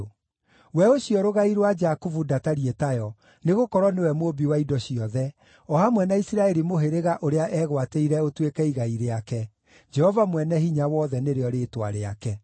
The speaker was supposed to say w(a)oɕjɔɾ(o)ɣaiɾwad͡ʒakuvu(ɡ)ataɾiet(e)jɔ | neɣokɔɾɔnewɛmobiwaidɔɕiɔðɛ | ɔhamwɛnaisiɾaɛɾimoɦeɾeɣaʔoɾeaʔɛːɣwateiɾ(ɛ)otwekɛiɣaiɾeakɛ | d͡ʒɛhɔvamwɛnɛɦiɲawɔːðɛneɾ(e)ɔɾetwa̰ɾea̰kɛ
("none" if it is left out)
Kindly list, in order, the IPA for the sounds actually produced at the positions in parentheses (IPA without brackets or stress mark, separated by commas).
ɛ, o, d, a, ɛ, e